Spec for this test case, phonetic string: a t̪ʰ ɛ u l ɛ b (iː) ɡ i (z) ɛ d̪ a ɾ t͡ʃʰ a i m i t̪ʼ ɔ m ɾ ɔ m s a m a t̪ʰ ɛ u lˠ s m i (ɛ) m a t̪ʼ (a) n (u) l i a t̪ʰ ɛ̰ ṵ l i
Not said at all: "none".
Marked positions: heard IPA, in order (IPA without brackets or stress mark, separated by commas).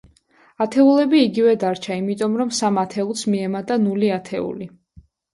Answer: iː, v, ɛ, a, u